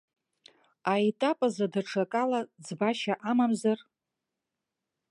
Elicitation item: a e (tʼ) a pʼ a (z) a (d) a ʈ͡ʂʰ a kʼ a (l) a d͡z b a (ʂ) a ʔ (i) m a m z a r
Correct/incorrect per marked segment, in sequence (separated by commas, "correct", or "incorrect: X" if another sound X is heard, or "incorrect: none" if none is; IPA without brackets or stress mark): correct, correct, correct, correct, incorrect: ʃ, incorrect: a